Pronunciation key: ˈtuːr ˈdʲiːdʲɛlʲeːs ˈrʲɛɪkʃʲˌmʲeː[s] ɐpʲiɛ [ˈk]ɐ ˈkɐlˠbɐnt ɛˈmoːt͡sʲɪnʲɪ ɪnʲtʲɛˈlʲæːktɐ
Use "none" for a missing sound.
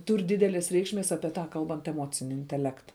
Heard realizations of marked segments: s, t

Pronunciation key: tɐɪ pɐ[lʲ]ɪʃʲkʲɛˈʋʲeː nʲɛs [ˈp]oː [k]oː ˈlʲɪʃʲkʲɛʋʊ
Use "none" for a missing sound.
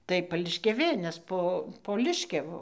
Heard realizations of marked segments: lʲ, p, p

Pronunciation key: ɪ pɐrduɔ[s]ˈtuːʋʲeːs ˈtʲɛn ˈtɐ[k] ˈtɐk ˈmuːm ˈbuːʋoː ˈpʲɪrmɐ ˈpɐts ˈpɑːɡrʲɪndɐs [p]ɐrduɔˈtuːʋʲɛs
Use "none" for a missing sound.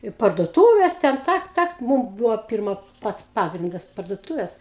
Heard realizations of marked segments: none, k, p

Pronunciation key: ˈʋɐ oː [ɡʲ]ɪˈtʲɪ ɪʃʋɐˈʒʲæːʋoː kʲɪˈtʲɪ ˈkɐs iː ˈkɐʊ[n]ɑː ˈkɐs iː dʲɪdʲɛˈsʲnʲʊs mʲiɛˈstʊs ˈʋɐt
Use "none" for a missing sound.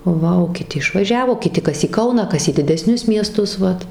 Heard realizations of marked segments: kʲ, n

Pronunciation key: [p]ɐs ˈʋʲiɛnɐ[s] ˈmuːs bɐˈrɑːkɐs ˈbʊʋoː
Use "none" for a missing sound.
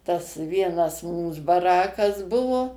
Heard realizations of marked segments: t, s

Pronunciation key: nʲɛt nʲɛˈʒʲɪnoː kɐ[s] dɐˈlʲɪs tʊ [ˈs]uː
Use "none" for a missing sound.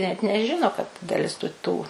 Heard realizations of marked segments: t, t

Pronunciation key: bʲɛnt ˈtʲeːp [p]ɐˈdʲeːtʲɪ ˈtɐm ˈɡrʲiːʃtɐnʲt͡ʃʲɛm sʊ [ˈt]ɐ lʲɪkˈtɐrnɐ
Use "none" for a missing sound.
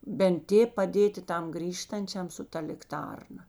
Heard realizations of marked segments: p, t

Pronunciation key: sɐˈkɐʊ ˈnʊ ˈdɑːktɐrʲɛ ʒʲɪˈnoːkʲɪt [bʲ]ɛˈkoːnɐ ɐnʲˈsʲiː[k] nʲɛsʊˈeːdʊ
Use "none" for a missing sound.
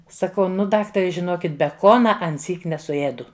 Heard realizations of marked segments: bʲ, k

